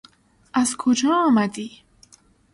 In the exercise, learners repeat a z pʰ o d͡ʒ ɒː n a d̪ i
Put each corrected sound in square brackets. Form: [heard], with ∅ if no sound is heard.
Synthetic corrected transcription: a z [kʰ] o d͡ʒ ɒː [m] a d̪ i